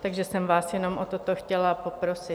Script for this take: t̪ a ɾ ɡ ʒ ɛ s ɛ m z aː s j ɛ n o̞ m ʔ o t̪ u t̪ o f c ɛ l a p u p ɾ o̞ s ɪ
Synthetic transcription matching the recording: t̪ a ɡ ʒ ɛ s ɛ m v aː s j ɛ n o̞ m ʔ o t̪ o t̪ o x c ɛ l a p o p ɾ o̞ s ɪ